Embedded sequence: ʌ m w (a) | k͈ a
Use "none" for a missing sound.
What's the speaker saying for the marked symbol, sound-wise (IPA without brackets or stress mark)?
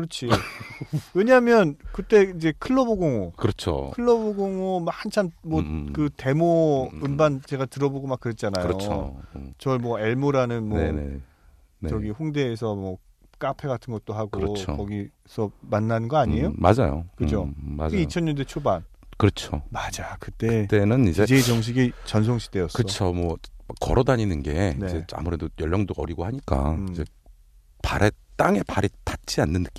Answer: ʌ